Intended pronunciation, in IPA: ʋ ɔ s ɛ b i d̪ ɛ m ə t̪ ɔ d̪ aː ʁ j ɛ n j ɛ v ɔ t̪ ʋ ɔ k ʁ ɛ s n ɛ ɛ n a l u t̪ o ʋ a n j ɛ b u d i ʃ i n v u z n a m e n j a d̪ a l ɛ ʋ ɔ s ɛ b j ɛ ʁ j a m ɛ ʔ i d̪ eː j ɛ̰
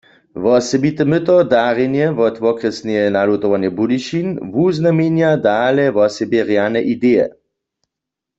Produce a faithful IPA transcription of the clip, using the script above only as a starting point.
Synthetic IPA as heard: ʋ ɔ s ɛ b i t̪ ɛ m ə t̪ ɔ d̪ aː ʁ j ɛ n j ɛ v ɔ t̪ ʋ ɔ k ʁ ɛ s n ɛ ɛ n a l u t̪ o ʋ a n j ɛ b u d i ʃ i n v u z n a m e n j a d̪ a l ɛ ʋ ɔ s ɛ b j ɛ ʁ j a n ɛ ʔ i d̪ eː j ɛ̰